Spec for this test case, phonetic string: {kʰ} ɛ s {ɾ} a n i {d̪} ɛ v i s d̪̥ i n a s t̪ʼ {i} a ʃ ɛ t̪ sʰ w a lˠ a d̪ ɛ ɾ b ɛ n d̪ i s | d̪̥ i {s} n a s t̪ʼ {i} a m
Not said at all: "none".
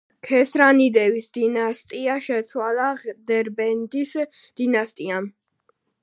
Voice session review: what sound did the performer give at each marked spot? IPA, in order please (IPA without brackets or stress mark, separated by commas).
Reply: kʰ, ɾ, d̪, i, none, i